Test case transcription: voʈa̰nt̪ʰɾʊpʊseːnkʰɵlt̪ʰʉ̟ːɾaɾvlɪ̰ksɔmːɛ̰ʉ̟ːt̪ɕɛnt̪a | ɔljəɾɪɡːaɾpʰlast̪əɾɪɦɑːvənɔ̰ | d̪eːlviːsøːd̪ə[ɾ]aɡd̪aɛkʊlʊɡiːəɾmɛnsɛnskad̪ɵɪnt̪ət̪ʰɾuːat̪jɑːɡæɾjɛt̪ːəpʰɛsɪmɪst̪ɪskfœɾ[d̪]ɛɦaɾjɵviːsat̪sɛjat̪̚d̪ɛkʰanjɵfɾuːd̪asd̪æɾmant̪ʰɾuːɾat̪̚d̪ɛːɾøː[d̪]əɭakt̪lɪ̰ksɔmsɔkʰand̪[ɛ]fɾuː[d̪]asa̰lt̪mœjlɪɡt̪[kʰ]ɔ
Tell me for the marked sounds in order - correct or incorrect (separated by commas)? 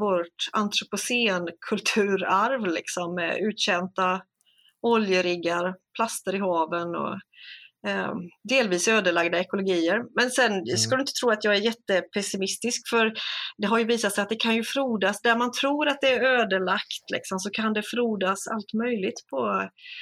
incorrect, correct, correct, correct, correct, incorrect